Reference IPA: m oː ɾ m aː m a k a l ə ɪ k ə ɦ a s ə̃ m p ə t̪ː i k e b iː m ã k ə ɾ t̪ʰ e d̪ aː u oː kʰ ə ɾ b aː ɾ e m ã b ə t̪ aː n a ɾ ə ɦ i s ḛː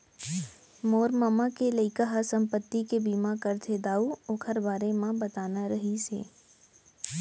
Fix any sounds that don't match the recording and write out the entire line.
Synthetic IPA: m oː ɾ m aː m a k e l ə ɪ k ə ɦ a s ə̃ m p ə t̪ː i k e b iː m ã k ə ɾ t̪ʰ e d̪ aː u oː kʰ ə ɾ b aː ɾ e m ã b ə t̪ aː n a ɾ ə ɦ i s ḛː